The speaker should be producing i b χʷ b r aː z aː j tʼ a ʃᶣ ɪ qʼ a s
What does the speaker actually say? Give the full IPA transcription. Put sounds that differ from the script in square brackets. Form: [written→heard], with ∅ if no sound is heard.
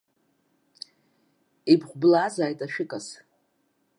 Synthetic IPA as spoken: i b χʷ b [r→l] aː z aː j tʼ a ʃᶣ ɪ [qʼ→kʼ] a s